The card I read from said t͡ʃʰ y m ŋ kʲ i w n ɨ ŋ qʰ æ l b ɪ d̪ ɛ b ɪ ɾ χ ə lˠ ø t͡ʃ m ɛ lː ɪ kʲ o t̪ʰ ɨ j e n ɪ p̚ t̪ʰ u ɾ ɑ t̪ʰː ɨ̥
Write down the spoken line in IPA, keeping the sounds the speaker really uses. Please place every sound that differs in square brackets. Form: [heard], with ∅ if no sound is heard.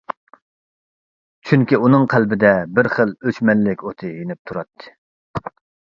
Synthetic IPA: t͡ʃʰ y [∅] ŋ kʲ i [u] n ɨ ŋ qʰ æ l b ɪ d̪ ɛ b ɪ ɾ χ ə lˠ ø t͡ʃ m ɛ lː ɪ kʲ o t̪ʰ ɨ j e n ɪ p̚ t̪ʰ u ɾ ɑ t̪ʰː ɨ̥